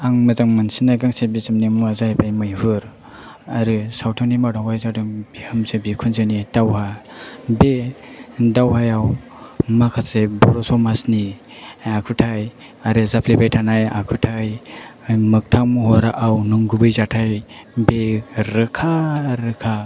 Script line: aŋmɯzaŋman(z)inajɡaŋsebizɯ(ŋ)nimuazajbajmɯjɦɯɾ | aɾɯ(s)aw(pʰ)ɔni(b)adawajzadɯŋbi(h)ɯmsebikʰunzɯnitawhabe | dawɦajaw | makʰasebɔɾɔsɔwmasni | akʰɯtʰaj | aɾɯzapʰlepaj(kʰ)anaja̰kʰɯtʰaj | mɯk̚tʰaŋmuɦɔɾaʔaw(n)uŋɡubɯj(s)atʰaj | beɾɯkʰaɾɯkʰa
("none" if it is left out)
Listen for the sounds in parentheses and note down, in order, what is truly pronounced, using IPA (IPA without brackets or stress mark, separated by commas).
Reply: s, m, s, tʰ, m, h, tʰ, n, z